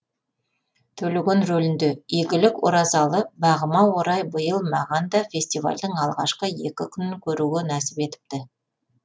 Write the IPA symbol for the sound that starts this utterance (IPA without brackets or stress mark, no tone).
t̪ʰ